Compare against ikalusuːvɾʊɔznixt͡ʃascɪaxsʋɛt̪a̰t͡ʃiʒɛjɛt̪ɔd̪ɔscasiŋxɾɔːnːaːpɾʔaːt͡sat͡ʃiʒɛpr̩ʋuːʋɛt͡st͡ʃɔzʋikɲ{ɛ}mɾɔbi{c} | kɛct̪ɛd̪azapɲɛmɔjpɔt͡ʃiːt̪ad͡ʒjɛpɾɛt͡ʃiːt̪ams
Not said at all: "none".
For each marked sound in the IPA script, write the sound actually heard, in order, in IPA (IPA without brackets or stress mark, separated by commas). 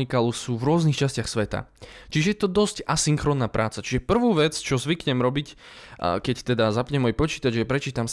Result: ɛ, c